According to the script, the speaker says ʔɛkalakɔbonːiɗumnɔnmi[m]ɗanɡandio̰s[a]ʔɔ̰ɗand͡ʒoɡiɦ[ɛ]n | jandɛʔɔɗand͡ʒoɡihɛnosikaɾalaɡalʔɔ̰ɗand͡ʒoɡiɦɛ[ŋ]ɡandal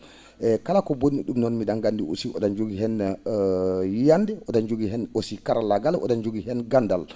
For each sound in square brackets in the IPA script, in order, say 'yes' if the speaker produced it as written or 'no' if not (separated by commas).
no, no, yes, no